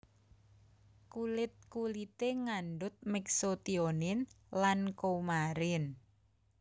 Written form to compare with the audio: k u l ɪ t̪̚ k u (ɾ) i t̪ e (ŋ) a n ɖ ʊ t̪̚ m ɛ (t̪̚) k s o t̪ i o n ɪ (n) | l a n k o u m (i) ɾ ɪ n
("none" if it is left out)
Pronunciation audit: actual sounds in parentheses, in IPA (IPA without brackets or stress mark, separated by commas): l, ŋ, none, n, a